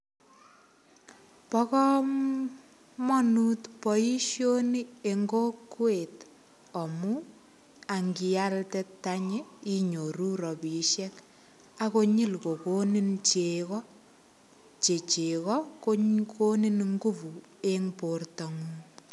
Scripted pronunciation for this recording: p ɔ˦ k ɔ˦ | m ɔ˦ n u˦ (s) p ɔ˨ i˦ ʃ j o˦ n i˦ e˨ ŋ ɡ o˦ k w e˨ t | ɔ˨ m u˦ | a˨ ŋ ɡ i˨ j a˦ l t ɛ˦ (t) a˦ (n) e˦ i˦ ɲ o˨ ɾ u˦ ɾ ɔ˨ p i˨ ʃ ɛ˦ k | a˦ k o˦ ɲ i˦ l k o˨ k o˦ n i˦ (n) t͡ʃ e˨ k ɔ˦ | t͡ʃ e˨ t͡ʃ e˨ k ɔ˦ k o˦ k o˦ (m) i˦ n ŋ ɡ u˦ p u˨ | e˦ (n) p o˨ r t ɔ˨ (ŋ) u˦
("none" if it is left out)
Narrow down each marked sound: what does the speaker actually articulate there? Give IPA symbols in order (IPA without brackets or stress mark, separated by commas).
t, t, ɲ, n, n, ŋ, ŋ